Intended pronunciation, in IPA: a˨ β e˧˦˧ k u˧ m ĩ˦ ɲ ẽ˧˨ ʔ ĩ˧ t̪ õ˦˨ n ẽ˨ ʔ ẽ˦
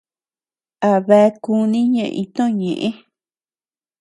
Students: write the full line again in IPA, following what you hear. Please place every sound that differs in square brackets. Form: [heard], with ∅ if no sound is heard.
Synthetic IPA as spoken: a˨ β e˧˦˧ k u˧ [n] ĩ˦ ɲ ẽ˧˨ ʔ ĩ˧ t̪ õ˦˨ [ɲ] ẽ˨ ʔ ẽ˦